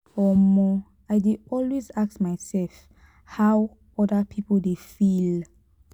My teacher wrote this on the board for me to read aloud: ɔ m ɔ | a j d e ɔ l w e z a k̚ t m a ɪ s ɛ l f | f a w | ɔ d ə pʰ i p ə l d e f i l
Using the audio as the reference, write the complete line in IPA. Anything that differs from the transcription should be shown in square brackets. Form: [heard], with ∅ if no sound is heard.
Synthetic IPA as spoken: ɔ m ɔ | a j d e ɔ l w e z a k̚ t m a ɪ s ɛ l f | [h] a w | ɔ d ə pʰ i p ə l d e f i l